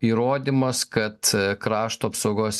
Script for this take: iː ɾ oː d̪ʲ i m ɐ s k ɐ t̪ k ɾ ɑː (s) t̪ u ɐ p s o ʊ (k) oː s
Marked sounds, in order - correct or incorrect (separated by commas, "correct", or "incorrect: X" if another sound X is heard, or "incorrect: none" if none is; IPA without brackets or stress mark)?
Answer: incorrect: ʃ, incorrect: ɡ